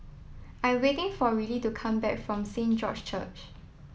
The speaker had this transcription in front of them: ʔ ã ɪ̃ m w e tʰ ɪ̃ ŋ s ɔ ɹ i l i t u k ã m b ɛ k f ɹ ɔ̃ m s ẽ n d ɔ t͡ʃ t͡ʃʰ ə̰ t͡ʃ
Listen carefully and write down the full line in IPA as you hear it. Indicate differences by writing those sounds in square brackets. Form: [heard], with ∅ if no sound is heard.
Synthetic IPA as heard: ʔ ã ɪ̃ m w e [t] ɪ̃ ŋ [f] ɔ ɹ i l i t u [kʰ] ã m b ɛ k f ɹ ɔ̃ m s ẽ n [d͡ʒ] ɔ t͡ʃ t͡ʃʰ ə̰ t͡ʃ